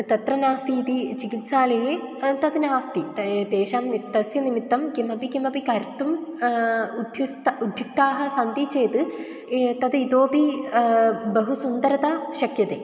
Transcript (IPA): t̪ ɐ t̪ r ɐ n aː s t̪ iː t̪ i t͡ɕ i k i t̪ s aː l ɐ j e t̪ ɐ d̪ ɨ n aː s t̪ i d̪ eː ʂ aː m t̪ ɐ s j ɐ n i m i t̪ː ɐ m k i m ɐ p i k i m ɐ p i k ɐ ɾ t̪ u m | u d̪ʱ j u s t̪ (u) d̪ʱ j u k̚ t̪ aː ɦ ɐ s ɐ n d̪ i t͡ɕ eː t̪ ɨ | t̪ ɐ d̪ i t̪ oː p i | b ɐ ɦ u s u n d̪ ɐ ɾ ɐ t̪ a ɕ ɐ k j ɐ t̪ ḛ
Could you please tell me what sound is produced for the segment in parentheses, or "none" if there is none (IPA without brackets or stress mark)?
u